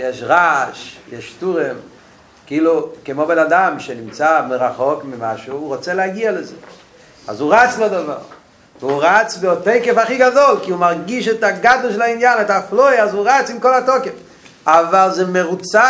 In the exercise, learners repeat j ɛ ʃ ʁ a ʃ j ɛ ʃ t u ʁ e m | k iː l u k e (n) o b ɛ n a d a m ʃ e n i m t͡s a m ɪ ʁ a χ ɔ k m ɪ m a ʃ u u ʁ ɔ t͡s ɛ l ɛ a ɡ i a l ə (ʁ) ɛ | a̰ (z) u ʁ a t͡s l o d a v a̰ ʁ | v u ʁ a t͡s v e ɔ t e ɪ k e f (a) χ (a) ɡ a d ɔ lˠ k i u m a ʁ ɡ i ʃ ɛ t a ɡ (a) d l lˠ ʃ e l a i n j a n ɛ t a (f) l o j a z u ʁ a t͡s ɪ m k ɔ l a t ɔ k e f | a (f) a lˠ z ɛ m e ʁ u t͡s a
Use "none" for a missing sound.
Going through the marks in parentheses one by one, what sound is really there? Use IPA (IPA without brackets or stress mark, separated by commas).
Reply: m, z, z, a, i, a, f, v